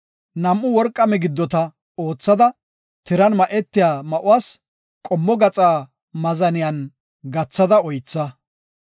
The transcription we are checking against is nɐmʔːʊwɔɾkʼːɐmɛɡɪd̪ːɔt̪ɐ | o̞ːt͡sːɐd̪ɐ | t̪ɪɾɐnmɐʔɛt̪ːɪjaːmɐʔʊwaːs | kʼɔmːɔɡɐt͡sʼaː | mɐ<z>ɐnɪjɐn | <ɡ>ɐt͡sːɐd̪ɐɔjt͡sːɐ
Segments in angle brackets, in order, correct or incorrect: correct, correct

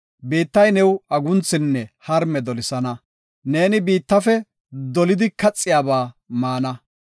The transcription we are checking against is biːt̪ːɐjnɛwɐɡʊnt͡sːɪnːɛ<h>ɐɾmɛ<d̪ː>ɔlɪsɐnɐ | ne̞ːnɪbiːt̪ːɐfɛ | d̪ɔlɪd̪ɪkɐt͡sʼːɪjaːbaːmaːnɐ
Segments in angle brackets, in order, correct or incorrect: correct, incorrect: d̪

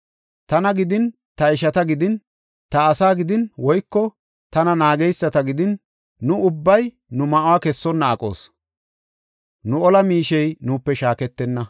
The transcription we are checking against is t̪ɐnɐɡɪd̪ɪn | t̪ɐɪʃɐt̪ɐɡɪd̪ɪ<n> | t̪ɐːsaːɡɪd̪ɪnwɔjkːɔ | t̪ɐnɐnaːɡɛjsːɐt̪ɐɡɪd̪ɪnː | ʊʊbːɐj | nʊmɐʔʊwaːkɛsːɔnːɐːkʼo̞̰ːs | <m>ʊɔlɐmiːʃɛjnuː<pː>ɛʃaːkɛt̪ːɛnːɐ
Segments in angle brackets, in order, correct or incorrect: correct, incorrect: n, correct

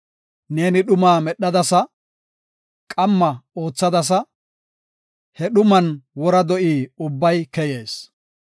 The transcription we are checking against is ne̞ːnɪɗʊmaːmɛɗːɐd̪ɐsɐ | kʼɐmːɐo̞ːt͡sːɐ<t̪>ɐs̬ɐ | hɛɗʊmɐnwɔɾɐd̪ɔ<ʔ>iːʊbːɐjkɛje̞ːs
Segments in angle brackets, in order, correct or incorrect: incorrect: d̪, correct

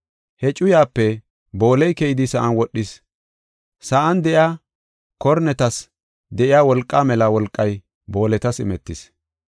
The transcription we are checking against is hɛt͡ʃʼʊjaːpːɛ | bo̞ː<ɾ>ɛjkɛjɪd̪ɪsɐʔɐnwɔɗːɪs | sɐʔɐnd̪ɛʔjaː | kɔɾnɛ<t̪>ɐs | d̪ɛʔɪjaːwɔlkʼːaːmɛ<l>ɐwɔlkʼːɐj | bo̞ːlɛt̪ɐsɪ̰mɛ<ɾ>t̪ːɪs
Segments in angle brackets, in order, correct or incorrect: incorrect: l, correct, correct, incorrect: none

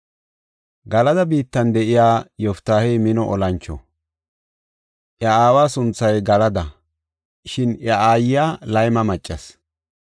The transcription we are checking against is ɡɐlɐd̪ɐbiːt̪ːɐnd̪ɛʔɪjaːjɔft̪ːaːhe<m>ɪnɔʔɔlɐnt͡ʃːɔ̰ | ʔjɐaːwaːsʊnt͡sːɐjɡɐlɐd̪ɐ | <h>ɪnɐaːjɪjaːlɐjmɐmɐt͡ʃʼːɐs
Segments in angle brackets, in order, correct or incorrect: correct, incorrect: ʃ

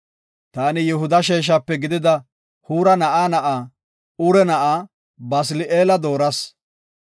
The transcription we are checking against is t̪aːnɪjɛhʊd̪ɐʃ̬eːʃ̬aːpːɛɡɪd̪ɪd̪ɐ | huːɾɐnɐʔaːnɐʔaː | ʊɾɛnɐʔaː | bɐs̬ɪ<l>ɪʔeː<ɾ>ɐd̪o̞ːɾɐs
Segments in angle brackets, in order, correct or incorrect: correct, incorrect: l

